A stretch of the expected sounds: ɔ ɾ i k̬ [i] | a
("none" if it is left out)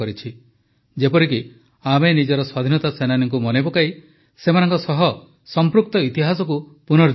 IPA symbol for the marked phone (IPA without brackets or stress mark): i